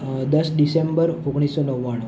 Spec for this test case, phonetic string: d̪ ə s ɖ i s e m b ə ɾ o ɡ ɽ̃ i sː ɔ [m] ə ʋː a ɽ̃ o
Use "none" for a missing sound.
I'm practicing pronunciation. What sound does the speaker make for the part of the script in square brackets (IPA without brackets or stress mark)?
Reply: n